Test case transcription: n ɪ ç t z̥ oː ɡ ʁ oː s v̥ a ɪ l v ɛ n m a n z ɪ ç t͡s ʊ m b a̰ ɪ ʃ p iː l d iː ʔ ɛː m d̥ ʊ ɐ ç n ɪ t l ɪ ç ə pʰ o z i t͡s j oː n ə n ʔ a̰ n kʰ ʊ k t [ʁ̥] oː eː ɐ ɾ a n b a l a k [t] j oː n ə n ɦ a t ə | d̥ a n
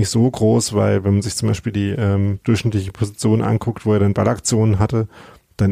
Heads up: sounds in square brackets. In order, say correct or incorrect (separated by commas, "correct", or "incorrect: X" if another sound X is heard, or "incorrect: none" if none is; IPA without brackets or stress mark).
incorrect: v̥, incorrect: t͡s